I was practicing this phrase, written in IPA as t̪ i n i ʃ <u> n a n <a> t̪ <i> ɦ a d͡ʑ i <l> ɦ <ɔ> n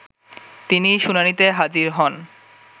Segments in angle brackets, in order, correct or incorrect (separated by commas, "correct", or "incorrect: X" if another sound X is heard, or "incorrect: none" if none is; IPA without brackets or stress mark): correct, incorrect: i, incorrect: e, incorrect: ɾ, correct